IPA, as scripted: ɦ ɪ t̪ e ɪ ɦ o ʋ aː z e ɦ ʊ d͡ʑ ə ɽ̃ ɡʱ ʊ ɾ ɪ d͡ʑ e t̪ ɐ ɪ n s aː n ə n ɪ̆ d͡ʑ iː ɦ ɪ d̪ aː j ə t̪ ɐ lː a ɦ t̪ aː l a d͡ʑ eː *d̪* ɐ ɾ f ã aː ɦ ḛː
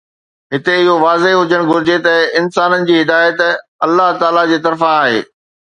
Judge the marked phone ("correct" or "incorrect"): incorrect